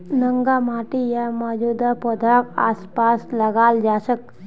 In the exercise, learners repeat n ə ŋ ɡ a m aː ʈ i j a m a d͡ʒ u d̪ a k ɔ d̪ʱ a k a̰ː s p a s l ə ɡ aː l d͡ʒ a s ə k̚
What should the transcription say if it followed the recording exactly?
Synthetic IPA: n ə ŋ ɡ a m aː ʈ i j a m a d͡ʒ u d̪ a p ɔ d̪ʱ a k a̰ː s p a s l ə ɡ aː l d͡ʒ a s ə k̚